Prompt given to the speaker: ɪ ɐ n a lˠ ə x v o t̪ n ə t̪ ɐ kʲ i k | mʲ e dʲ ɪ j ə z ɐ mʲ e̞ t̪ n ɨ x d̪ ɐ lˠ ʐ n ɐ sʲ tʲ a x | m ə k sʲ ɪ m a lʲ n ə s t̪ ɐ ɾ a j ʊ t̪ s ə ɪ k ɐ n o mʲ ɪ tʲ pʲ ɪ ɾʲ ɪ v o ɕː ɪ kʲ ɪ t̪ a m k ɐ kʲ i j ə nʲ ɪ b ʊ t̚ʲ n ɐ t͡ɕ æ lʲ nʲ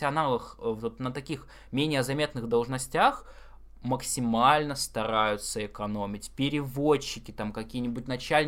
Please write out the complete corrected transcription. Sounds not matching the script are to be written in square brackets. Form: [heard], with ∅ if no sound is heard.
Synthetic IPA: ɪ ɐ n a lˠ ə x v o t̪ n ə t̪ ɐ kʲ i [x] | mʲ e [nʲ] ɪ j ə z ɐ mʲ e̞ t̪ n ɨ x d̪ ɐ lˠ ʐ n ɐ sʲ tʲ a x | m ə k sʲ ɪ m a lʲ n ə s t̪ ɐ ɾ a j ʊ t̪ s ə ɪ k ɐ n o mʲ ɪ tʲ pʲ ɪ ɾʲ ɪ v o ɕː ɪ kʲ ɪ t̪ a m k ɐ kʲ i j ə nʲ ɪ b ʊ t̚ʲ n ɐ t͡ɕ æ lʲ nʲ